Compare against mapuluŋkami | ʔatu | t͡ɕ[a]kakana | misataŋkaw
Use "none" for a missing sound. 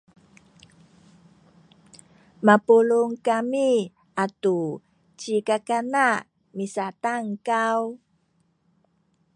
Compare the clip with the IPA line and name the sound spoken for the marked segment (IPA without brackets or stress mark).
i